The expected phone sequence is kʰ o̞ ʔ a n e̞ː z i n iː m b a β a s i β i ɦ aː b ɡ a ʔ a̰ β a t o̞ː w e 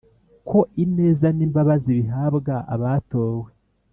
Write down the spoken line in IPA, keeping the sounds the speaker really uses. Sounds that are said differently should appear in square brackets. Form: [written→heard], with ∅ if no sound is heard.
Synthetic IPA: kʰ o̞ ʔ [a→i] n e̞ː z [i→a] n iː m b a β a [s→z] i β i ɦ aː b ɡ a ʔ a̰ β a t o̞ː w e